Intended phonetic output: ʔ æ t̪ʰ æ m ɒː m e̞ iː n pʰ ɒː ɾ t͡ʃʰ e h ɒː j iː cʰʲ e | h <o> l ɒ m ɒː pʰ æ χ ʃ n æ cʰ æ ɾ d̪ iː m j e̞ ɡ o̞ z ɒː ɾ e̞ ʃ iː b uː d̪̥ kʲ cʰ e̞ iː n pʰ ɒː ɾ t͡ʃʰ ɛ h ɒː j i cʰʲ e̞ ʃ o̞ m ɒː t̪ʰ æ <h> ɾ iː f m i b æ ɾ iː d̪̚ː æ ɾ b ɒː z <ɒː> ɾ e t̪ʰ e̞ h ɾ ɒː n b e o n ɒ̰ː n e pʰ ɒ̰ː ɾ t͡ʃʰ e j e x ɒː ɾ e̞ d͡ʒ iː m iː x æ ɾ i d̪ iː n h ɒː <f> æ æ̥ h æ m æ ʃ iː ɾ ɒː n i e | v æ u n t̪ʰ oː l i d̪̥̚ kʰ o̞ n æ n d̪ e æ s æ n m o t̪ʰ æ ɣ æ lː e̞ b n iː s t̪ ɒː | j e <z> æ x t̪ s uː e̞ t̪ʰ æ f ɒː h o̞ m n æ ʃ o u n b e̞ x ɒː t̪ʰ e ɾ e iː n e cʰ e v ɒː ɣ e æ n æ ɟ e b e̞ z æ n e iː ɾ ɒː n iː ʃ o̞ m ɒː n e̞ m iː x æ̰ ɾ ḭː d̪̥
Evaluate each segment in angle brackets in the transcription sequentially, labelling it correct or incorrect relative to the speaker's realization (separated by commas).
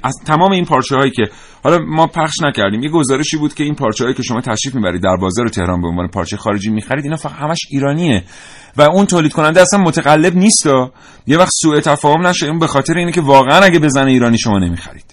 incorrect, incorrect, correct, correct, incorrect